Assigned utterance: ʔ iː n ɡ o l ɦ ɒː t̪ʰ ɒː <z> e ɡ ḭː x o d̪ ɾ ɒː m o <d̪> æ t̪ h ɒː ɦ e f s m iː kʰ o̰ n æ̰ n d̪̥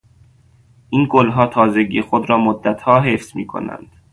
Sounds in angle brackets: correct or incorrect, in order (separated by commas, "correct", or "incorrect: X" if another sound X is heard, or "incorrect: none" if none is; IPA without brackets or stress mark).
correct, incorrect: d̪ː